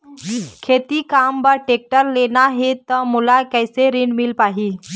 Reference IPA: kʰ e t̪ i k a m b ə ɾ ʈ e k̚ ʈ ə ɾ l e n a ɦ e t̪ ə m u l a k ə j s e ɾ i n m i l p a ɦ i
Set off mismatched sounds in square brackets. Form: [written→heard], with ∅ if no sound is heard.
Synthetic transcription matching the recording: kʰ e t̪ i k a m b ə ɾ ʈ e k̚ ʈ ə ɾ l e n a ɦ e t̪ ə m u l a k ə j s e ɾ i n m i l p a ɦ i